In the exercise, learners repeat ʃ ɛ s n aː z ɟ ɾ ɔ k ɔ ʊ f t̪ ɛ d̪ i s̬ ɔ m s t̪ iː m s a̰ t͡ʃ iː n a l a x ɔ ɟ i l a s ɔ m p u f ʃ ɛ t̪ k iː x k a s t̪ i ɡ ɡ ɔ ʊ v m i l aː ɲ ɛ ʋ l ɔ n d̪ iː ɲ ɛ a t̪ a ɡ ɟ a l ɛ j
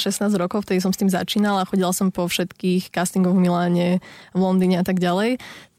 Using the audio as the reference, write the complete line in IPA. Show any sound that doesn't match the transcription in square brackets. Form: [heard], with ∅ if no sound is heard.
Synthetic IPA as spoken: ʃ ɛ s n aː z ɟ ɾ ɔ k ɔ ʊ f t̪ ɛ d̪ i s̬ ɔ m s t̪ iː m [z] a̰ t͡ʃ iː n a l a x ɔ ɟ i l a s ɔ m p [ɔ] f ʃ ɛ t̪ k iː x k a s t̪ i [ŋ] ɡ ɔ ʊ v m i l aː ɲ ɛ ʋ l ɔ n d̪ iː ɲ ɛ a t̪ a ɡ ɟ a l ɛ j